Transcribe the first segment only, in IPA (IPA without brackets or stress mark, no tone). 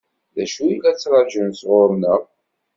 ð